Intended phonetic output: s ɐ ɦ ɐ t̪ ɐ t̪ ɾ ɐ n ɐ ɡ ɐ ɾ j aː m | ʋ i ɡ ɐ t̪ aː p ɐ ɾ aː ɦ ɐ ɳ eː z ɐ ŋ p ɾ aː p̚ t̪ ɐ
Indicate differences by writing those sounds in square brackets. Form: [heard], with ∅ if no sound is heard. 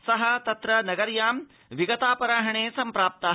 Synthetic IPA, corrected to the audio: s ɐ ɦ ɐ t̪ ɐ t̪ ɾ ɐ n ɐ ɡ ɐ ɾ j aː m | ʋ i ɡ ɐ t̪ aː p ɐ ɾ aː ɦ ɐ ɳ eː [s] ɐ [m] p ɾ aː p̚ t̪ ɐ